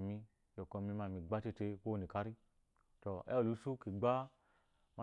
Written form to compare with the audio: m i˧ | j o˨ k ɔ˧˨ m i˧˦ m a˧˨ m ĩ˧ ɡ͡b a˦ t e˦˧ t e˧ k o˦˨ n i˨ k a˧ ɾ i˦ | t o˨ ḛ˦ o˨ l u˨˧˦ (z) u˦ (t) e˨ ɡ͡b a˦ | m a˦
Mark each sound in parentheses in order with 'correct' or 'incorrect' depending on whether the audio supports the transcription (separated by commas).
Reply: incorrect, incorrect